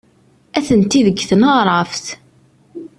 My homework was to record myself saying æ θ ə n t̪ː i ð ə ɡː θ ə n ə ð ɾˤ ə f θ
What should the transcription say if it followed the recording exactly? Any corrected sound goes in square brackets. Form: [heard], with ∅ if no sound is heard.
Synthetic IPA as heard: æ θ ə n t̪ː i ð ə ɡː θ ə n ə [ʁ] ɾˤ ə f θ